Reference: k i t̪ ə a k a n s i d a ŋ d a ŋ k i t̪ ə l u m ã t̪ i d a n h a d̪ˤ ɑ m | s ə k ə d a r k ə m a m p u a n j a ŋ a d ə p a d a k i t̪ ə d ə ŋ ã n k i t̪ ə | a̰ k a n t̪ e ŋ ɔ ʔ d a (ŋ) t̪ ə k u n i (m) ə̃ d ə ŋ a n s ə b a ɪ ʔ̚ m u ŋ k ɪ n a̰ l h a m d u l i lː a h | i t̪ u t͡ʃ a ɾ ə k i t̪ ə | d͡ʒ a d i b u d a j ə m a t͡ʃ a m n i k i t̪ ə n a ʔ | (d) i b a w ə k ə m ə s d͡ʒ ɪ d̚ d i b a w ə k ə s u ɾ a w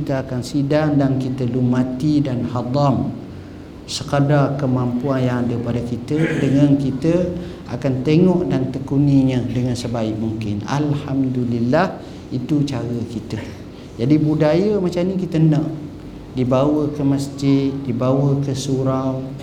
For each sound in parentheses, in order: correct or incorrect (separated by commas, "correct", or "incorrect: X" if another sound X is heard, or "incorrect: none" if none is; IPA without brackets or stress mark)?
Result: incorrect: n, incorrect: ɲ, correct